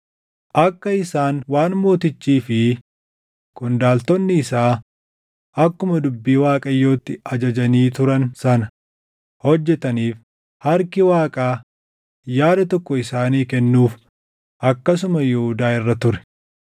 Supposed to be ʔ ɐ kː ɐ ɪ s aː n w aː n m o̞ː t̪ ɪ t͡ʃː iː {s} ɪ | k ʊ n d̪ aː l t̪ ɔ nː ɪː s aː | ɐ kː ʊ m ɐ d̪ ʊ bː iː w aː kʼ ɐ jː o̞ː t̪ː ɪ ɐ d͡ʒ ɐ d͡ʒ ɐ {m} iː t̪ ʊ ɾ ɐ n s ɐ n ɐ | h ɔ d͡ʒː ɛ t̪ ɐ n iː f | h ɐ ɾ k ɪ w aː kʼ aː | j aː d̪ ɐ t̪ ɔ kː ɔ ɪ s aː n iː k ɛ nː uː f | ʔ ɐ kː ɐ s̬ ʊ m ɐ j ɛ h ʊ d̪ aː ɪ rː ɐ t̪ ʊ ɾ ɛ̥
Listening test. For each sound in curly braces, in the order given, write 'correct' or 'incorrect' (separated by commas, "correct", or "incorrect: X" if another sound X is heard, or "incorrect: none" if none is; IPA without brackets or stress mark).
incorrect: f, incorrect: n